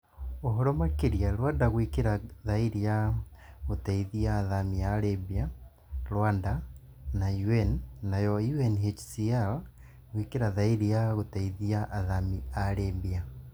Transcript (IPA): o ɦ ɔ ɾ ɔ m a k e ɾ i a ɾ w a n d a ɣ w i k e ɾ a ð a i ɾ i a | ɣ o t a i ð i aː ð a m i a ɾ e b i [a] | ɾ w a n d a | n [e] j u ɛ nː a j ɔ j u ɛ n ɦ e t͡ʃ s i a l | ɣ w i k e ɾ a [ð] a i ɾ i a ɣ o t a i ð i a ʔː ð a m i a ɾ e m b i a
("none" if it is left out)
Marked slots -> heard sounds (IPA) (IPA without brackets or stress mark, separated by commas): a, a, ð